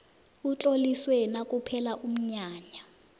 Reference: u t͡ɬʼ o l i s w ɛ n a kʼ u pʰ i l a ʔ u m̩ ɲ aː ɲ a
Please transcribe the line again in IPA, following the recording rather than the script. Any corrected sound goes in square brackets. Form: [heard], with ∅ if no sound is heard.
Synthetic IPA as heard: u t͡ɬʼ o l i s w ɛ n a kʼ u pʰ [ɛ] l a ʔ u m̩ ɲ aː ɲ a